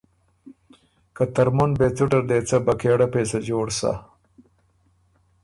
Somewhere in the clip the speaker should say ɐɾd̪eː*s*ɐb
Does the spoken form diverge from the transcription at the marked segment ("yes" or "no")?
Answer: yes